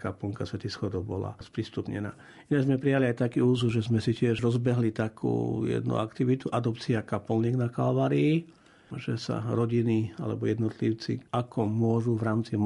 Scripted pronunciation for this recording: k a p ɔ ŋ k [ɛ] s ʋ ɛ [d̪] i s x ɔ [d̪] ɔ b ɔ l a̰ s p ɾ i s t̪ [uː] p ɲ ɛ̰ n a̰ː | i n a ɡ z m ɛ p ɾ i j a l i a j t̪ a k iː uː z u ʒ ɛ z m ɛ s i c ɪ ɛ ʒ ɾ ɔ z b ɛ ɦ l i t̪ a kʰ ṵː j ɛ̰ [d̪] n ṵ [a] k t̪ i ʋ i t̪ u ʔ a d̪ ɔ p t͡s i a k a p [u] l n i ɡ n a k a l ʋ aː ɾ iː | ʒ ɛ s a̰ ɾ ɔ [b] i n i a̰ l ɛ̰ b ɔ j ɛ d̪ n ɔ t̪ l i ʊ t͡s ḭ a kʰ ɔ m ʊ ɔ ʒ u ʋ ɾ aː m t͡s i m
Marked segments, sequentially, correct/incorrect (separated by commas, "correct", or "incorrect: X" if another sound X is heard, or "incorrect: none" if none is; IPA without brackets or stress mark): incorrect: a, incorrect: t̪, correct, incorrect: u, correct, correct, incorrect: ɔ, incorrect: ɟ